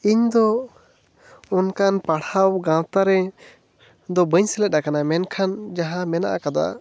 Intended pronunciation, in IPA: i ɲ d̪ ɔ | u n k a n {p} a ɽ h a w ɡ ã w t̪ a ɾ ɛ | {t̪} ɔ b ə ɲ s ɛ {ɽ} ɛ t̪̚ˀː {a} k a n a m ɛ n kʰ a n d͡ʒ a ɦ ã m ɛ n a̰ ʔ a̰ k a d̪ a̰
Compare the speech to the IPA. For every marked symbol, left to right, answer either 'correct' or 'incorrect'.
correct, incorrect, incorrect, correct

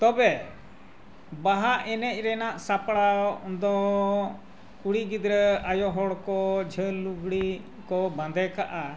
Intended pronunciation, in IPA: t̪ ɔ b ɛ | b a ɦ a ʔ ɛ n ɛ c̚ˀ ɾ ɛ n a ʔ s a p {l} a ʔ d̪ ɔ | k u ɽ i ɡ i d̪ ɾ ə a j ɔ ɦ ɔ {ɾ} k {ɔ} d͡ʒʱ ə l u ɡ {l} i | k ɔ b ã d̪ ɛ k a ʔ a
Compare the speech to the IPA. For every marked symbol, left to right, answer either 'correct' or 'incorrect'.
incorrect, incorrect, correct, incorrect

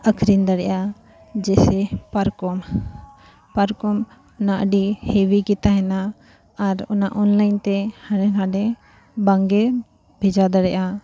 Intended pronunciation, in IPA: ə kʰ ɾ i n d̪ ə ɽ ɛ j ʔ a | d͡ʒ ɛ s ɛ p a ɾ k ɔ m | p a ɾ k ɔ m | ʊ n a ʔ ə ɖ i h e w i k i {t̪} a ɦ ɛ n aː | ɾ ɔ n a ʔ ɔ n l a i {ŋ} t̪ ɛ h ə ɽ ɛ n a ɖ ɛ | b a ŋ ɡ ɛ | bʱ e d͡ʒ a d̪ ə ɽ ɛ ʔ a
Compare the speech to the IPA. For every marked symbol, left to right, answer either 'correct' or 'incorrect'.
correct, incorrect

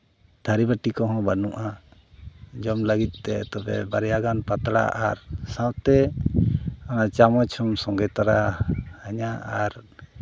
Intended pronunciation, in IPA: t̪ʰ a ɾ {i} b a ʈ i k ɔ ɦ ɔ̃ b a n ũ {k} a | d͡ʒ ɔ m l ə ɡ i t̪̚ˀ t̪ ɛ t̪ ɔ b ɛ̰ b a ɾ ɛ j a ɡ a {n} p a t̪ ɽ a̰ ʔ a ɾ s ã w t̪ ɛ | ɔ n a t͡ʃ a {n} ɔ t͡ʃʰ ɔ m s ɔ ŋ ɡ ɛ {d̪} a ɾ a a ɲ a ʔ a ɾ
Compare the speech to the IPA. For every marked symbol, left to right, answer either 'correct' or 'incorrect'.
correct, incorrect, correct, incorrect, incorrect

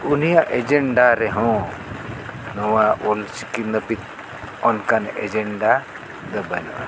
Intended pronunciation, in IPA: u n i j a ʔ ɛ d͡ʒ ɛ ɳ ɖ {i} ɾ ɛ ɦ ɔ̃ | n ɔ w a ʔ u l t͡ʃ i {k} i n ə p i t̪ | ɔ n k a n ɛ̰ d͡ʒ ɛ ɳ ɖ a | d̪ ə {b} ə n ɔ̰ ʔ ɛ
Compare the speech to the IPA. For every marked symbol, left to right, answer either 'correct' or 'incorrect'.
incorrect, correct, correct

